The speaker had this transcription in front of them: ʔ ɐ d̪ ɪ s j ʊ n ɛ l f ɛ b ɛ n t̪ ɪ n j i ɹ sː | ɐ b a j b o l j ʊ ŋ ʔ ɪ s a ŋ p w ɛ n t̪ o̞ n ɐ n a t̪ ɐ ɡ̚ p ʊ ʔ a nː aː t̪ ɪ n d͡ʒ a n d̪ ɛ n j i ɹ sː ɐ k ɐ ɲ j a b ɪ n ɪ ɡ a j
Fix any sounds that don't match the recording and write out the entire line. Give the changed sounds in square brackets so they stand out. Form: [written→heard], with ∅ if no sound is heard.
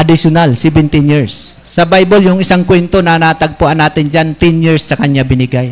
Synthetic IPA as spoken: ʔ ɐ d̪ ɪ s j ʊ n [ɛ→a] l [f→s] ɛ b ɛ n t̪ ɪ n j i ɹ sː | ɐ b a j b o l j ʊ ŋ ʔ ɪ s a ŋ [p→k] w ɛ n t̪ o̞ n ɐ n a t̪ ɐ ɡ̚ p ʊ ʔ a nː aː t̪ ɪ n d͡ʒ a n [d̪→t̪] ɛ n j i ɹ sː ɐ k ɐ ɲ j a b ɪ n ɪ ɡ a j